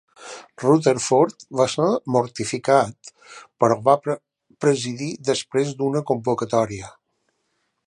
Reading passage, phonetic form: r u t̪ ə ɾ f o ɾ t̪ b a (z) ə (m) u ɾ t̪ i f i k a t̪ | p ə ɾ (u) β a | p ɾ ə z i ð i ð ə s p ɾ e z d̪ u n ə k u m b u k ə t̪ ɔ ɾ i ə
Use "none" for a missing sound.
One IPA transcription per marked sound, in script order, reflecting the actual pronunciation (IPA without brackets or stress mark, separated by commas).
s, m, ɔ